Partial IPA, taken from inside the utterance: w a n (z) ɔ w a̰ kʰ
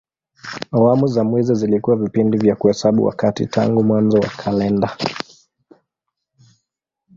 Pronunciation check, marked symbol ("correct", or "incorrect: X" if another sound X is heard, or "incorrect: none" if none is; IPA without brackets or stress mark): correct